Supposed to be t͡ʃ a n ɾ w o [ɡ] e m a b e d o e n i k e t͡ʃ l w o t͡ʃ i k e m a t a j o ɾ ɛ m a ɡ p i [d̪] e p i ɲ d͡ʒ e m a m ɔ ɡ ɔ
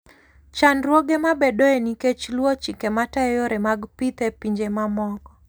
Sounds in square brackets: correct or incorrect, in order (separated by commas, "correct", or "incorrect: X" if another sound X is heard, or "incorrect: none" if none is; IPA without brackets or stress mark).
correct, incorrect: t̪